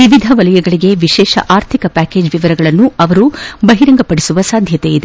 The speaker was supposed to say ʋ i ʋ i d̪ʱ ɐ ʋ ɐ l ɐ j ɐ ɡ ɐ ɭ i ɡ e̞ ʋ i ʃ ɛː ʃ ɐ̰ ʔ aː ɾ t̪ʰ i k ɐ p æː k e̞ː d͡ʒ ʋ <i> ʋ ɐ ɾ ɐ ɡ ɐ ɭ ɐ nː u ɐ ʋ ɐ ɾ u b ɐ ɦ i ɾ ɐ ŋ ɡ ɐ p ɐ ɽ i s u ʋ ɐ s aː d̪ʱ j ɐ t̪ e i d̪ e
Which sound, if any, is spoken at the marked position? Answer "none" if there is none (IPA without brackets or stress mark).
i